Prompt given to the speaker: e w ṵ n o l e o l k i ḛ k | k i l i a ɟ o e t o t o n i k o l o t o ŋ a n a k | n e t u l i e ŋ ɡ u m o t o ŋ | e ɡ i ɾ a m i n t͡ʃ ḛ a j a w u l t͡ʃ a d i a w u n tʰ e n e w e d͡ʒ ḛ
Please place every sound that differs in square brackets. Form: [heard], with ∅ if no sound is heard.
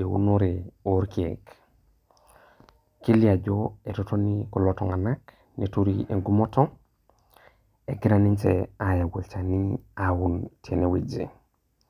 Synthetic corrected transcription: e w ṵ n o [ɾ] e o [ɾ] k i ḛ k | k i l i a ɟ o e t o t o n i k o l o t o ŋ a n a k | n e t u [ɾ] i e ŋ ɡ u m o t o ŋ | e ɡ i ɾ a [n] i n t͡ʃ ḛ a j a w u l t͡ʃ a [n] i a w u n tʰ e n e w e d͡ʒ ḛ